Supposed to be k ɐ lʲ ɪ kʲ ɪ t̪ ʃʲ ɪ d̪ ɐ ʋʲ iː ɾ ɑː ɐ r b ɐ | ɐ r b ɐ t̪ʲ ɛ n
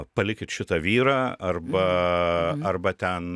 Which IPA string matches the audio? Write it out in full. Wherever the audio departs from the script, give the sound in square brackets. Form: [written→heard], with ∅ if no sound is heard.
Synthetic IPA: [k→p] ɐ lʲ ɪ kʲ ɪ t̪ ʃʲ ɪ [d̪→t̪] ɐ ʋʲ iː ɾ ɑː ɐ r b ɐ | ɐ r b ɐ t̪ʲ ɛ n